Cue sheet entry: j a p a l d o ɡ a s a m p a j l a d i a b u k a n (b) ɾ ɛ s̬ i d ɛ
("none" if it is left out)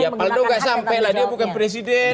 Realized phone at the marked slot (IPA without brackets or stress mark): p